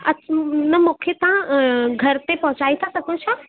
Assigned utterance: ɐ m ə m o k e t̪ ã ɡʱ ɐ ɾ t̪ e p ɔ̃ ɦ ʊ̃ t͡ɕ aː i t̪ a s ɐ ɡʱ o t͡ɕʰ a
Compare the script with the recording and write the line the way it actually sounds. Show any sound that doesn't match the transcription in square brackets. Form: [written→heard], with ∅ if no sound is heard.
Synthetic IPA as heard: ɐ [m→n] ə m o [k→kʰ] e t̪ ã ɡʱ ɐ ɾ t̪ e p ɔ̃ ɦ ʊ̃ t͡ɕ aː i [t̪→t̪ʰ] a s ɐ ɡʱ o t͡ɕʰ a